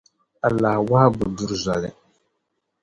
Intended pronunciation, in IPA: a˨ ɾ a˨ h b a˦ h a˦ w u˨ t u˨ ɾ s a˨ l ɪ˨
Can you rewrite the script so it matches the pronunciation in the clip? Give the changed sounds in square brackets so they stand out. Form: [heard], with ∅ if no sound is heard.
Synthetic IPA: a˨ [l] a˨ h [w] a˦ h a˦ [b] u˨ [d] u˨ ɾ [z] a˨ l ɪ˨